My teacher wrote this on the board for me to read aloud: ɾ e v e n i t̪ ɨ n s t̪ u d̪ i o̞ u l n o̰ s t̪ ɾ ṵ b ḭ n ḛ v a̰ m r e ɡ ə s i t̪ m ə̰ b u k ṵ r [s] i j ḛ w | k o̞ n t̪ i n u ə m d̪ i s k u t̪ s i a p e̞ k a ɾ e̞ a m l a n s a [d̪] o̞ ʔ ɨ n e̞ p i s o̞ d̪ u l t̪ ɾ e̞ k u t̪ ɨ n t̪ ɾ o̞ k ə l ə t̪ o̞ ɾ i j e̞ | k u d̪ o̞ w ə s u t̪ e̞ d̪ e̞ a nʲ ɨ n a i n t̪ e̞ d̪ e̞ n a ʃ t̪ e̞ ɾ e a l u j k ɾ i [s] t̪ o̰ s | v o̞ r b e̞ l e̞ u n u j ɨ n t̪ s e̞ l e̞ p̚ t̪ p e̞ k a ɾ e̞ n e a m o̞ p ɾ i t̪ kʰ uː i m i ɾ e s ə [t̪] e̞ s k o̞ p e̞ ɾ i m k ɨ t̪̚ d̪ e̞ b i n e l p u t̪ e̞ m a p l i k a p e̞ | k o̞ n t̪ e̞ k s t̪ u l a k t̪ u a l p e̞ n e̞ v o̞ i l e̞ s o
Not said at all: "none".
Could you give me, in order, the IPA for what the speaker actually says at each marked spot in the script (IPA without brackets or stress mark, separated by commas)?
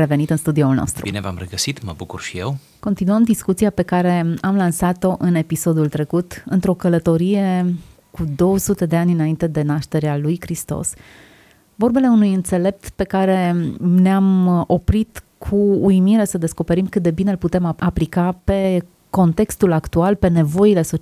ʃ, t̪, s, d̪